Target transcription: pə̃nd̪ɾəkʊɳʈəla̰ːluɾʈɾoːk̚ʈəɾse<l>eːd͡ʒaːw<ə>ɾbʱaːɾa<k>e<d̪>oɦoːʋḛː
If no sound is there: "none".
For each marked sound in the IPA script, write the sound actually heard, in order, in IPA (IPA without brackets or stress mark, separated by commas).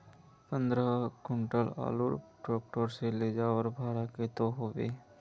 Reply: l, ə, k, t̪